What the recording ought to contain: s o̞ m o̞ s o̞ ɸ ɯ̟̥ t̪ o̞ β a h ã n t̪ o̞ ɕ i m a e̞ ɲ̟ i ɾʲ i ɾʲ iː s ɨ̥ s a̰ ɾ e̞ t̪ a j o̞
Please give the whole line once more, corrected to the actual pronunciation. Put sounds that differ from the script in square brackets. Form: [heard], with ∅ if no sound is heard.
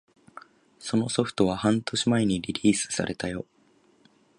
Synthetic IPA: s o̞ [n] o̞ s o̞ ɸ ɯ̟̥ t̪ o̞ β a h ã n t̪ o̞ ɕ i m a e̞ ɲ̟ i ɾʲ i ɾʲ iː s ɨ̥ s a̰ ɾ e̞ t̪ a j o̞